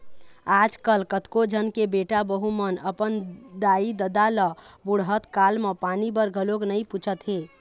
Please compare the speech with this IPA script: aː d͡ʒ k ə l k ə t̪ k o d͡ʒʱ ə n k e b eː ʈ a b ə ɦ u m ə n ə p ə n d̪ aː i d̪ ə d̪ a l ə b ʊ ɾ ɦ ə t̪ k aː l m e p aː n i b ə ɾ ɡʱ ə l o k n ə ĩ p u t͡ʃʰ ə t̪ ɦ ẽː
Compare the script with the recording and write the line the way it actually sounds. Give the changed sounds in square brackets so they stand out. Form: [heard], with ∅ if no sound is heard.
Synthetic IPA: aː d͡ʒ k ə l k ə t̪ k o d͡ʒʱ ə n k e b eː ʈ a b ə ɦ u m ə n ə p ə n d̪ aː i d̪ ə d̪ a l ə b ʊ [ɽ] ɦ ə t̪ k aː l m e p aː n i b ə ɾ ɡʱ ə l o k n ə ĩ p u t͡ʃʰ ə t̪ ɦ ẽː

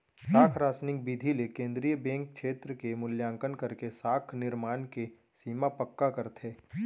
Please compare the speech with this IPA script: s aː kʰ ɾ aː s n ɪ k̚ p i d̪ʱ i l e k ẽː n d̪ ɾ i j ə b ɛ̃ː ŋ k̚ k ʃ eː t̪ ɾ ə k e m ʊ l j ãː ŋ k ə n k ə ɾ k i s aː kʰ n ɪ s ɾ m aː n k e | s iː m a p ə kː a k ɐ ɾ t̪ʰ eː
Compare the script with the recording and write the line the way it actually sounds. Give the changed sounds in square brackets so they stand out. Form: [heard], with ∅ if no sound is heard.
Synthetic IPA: s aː kʰ ɾ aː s n ɪ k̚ [b] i d̪ʱ i l e k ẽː n d̪ ɾ i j ə b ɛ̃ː ŋ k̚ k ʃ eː t̪ ɾ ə k e m ʊ l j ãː ŋ k ə n k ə ɾ k [e] s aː kʰ n ɪ [∅] ɾ m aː n k e | s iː m a p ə kː a k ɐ ɾ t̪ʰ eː

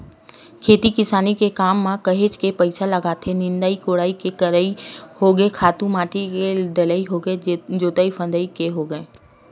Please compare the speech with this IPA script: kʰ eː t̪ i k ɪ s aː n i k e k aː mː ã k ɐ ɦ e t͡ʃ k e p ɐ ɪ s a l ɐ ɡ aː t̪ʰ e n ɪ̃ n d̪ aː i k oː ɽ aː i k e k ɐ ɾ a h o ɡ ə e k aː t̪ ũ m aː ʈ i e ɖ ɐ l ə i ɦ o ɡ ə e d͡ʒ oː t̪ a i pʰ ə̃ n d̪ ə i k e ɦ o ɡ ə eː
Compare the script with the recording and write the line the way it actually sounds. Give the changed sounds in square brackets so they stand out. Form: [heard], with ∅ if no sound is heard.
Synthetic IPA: kʰ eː t̪ i k ɪ s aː n i k e k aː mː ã k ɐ ɦ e t͡ʃ k e p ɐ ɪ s a l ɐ ɡ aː t̪ʰ e n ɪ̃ n d̪ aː i k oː ɽ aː i k e k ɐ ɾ [i] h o ɡ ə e [kʰ] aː t̪ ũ m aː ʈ i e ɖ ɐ l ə i ɦ o ɡ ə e d͡ʒ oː t̪ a i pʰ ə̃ n d̪ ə i k e ɦ o ɡ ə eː

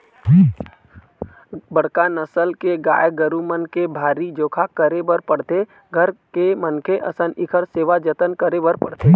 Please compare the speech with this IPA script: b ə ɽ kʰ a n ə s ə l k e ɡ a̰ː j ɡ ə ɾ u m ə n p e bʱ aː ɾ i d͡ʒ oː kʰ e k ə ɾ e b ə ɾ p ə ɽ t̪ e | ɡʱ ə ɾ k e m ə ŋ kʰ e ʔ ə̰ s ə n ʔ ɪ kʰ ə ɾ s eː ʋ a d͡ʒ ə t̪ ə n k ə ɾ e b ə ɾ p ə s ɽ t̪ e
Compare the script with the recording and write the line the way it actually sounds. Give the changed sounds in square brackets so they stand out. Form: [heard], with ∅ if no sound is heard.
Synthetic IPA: b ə ɽ [k] a n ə s ə l k e ɡ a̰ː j ɡ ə ɾ u m ə n [k] e bʱ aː ɾ i d͡ʒ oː kʰ [a] k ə ɾ e b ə ɾ p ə ɽ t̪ e | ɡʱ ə ɾ k e m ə [n] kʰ e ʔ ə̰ s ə n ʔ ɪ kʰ ə ɾ s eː ʋ a d͡ʒ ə t̪ ə n k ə ɾ e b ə ɾ p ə [∅] ɽ t̪ e

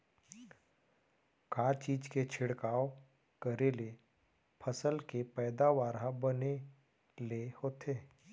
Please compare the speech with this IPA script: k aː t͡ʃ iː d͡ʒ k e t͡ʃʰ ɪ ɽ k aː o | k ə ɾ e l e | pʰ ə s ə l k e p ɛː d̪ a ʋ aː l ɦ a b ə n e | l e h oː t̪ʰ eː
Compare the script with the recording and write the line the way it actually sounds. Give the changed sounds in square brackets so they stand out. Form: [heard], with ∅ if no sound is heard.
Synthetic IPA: k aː t͡ʃ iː d͡ʒ k e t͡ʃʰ ɪ ɽ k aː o | k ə ɾ e l e | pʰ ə s ə l k e p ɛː d̪ a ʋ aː [ɾ] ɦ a b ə n e | l e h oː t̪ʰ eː

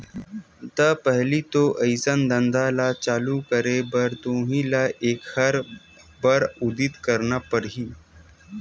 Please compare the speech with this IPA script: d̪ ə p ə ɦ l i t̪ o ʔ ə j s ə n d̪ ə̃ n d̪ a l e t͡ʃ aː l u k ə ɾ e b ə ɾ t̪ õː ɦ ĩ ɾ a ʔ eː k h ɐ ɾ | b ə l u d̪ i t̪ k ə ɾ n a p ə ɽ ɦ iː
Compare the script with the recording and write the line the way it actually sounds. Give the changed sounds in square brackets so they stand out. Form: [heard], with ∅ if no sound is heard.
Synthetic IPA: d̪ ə p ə ɦ l i t̪ o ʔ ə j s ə n d̪ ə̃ n d̪ a l [a] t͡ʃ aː l u k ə ɾ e b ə ɾ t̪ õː ɦ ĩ [l] a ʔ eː k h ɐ ɾ | b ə [ɾ] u d̪ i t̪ k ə ɾ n a p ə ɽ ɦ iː

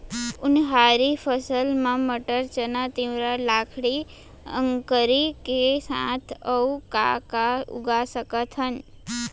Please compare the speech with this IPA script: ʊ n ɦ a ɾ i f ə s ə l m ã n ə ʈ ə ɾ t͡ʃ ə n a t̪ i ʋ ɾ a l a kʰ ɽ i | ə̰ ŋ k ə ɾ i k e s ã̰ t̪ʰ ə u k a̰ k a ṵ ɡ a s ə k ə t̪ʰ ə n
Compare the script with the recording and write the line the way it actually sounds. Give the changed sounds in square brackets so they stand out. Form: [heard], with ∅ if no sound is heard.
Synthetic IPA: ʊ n ɦ a ɾ i f ə s ə l m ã [m] ə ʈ ə ɾ t͡ʃ ə n a t̪ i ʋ ɾ a l a kʰ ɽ i | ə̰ ŋ k ə ɾ i k e s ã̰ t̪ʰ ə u k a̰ k a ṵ ɡ a s ə k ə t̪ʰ ə n

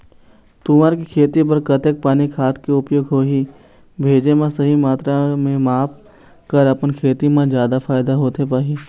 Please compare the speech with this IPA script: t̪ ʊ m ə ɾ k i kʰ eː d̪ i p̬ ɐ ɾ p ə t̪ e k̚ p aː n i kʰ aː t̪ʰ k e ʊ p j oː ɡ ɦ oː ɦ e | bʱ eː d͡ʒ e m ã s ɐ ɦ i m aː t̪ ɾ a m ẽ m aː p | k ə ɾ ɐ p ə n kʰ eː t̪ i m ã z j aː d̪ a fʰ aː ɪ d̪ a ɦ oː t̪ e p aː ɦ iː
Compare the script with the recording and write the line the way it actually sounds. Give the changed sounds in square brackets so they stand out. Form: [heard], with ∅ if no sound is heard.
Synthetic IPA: t̪ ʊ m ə ɾ k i kʰ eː [t̪] i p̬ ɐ ɾ [k] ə t̪ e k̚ p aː n i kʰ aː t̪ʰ k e ʊ p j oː ɡ ɦ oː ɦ [i] | bʱ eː d͡ʒ e m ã s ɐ ɦ i m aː t̪ ɾ a m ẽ m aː p | k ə ɾ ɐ p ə n kʰ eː t̪ i m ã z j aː d̪ a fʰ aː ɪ d̪ a ɦ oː t̪ e p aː ɦ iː

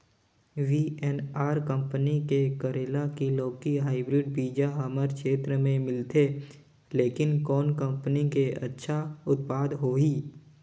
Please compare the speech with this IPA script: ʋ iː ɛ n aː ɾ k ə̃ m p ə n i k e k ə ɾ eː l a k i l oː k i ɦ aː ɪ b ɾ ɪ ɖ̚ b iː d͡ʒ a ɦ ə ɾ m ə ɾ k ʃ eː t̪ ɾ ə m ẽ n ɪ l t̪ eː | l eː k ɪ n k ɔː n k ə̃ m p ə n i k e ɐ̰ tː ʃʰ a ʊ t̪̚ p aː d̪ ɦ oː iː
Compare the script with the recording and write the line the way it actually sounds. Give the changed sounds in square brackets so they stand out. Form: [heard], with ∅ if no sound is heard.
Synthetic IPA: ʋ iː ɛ n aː ɾ k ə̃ m p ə n i k e k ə ɾ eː l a k i l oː k i ɦ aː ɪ b ɾ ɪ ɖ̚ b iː d͡ʒ a ɦ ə [∅] m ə ɾ k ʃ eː t̪ ɾ ə m ẽ [m] ɪ l t̪ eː | l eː k ɪ n k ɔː n k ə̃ m p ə n i k e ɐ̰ tː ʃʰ a ʊ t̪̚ p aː d̪ ɦ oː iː

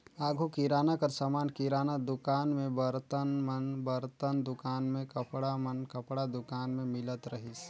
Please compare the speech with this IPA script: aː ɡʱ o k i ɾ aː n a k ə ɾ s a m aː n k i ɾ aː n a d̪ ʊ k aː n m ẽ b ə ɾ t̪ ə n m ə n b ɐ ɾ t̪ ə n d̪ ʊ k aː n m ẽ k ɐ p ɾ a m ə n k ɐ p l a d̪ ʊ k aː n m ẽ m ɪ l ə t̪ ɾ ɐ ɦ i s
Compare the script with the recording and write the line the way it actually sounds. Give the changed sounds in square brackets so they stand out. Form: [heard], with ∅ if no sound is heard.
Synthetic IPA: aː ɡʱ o k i ɾ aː n a k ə ɾ s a m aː n k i ɾ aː n a d̪ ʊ k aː n m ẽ b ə ɾ t̪ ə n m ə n b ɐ ɾ t̪ ə n d̪ ʊ k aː n m ẽ k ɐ p [ɽ] a m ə n k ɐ p [ɽ] a d̪ ʊ k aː n m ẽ m ɪ l ə t̪ ɾ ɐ ɦ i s

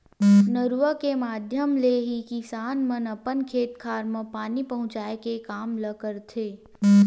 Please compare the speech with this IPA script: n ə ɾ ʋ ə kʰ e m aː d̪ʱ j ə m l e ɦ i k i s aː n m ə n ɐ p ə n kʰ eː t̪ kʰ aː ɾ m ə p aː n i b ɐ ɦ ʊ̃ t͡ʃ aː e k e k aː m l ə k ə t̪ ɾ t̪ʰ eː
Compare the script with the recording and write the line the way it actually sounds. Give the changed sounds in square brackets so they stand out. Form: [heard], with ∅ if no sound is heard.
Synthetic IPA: n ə ɾ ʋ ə [k] e m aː d̪ʱ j ə m l e ɦ i k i s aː n m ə n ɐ p ə n kʰ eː t̪ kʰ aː ɾ m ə p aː n i [p] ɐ ɦ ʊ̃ t͡ʃ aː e k e k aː m l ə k ə [∅] ɾ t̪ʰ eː

